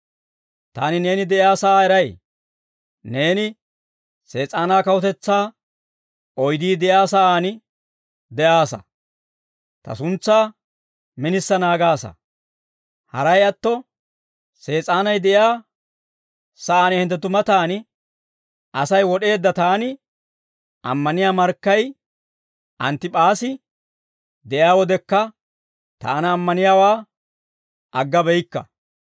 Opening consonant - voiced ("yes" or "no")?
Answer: no